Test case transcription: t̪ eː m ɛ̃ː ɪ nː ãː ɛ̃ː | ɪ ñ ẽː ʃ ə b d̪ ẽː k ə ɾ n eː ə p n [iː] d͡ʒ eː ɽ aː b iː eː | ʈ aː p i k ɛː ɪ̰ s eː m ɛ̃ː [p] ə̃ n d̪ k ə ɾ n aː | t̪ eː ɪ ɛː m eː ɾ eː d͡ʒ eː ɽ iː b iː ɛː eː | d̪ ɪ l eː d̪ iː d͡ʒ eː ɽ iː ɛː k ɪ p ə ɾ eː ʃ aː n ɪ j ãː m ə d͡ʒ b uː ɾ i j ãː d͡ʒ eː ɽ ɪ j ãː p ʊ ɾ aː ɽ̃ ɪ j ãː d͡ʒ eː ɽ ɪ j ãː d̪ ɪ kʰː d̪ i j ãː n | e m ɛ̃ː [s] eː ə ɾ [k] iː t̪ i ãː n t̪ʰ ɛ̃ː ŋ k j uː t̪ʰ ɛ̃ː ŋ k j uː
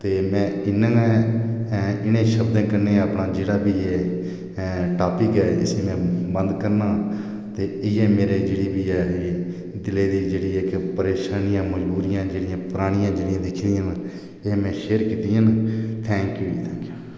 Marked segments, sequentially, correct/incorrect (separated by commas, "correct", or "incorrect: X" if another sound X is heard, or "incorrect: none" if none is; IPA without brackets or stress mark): incorrect: aː, incorrect: b, incorrect: ʃ, correct